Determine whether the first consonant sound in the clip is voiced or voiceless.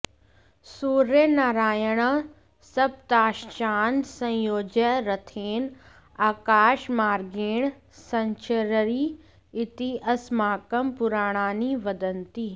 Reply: voiceless